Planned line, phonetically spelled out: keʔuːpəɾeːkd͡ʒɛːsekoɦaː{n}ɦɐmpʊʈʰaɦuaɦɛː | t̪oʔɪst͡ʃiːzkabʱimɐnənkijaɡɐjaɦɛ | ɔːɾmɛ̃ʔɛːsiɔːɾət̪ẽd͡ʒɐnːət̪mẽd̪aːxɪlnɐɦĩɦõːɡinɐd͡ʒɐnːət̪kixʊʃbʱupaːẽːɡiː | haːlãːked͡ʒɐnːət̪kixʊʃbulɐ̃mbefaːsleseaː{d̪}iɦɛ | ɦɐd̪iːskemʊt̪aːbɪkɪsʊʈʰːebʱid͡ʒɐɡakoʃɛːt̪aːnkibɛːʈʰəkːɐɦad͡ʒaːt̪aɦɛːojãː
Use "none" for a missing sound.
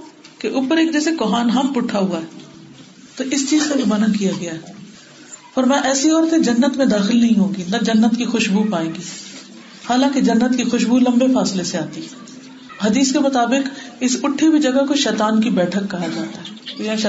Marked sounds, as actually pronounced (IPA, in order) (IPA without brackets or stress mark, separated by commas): n, t̪